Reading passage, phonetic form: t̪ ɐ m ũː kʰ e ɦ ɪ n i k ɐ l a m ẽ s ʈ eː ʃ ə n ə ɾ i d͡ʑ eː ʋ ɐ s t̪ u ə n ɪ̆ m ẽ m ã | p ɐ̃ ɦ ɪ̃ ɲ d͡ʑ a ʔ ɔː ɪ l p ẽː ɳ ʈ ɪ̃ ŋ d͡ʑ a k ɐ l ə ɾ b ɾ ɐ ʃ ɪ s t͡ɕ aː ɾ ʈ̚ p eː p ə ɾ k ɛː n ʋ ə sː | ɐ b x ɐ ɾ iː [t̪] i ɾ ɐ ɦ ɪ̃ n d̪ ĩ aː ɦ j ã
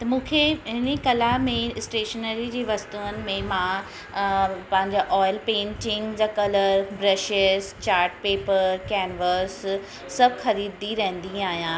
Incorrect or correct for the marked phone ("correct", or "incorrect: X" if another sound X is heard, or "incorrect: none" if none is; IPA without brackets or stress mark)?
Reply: incorrect: d̪